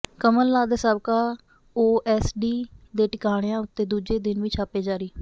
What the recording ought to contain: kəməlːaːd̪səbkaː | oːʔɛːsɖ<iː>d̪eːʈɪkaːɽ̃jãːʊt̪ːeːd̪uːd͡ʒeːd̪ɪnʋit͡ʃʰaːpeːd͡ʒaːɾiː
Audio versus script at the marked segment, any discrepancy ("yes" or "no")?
no